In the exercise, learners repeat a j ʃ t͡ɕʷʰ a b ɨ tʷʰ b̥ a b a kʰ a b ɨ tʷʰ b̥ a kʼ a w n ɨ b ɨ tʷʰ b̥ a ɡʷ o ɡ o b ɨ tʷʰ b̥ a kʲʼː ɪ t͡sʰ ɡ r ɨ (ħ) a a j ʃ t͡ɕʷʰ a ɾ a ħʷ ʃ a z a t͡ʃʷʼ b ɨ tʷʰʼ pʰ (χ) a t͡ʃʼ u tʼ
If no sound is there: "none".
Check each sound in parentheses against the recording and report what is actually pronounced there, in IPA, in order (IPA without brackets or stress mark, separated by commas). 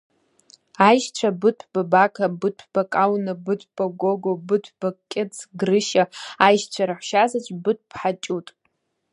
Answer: ʃ, ħ